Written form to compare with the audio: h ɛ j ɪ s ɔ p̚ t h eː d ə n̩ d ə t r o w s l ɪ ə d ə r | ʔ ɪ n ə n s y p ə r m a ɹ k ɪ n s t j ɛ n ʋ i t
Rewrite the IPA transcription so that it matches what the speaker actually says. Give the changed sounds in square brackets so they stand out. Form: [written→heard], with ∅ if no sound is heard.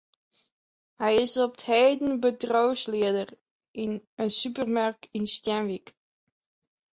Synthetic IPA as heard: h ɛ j ɪ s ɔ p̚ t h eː d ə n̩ [d→b] ə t r o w s l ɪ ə d ə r | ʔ ɪ n ə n s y p ə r m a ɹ k ɪ n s t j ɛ n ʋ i [t→k]